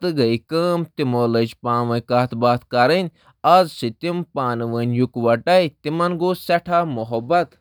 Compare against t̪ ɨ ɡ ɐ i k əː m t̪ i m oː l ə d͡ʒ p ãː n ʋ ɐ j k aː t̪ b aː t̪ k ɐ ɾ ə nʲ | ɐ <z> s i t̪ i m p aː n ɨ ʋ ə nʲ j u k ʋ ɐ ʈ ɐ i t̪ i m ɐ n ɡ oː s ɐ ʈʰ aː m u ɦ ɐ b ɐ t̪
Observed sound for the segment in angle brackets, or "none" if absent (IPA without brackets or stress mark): z